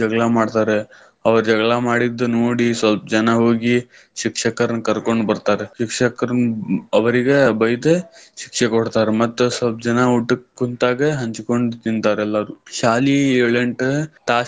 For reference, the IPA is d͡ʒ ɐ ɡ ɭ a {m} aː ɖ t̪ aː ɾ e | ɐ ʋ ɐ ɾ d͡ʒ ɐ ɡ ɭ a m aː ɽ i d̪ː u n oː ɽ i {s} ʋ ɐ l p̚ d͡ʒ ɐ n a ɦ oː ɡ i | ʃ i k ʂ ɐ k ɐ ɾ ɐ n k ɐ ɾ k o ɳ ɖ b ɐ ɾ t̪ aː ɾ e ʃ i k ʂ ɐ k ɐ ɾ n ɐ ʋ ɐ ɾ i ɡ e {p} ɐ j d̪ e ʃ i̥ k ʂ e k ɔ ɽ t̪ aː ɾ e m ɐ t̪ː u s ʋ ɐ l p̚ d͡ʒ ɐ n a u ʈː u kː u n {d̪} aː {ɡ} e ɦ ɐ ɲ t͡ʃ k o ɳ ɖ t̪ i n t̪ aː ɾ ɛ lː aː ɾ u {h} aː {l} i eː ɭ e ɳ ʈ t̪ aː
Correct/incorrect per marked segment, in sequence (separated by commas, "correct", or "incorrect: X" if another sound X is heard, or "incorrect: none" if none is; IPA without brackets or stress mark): correct, correct, incorrect: b, incorrect: t̪, correct, incorrect: ʃ, correct